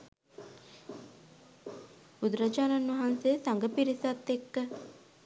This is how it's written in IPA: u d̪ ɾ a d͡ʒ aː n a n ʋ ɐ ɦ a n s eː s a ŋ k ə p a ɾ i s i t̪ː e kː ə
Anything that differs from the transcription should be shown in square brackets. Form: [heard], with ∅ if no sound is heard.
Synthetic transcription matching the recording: u d̪ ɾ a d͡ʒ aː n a n ʋ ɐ ɦ a n s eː s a ŋ [ɡ] ə p [i] ɾ i s [a] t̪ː e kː ə